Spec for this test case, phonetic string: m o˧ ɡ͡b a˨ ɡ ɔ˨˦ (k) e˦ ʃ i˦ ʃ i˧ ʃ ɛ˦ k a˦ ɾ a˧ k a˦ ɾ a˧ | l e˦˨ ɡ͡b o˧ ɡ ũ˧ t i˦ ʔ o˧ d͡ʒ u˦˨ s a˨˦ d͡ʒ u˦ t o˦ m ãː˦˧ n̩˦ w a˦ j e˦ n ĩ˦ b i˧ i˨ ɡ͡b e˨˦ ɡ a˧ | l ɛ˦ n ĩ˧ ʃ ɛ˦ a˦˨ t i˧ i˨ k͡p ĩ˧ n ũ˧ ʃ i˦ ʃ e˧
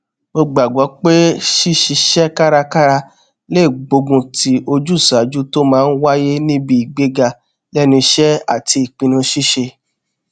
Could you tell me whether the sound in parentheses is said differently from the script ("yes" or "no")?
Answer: yes